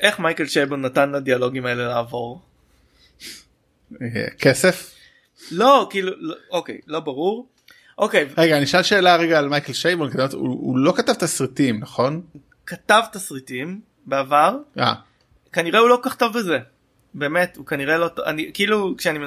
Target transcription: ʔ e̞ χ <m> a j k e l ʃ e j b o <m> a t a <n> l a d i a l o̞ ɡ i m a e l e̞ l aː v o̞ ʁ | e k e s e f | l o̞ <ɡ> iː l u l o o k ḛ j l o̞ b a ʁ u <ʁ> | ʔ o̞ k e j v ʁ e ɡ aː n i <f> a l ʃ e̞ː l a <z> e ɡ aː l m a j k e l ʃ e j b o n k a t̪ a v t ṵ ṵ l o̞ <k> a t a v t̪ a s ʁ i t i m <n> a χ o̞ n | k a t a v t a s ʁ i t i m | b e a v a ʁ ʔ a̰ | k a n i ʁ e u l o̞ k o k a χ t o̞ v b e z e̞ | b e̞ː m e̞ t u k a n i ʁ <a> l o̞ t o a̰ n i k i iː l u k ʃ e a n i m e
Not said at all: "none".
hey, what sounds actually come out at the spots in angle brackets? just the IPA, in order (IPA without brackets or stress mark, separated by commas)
m, n, n, k, ʁ, ʃ, ʁ, k, n, e